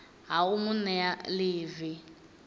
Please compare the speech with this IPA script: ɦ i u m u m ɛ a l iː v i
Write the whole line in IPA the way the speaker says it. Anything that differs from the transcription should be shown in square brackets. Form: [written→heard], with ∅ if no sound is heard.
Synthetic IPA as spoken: ɦ [i→a] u m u [m→n] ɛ a l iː v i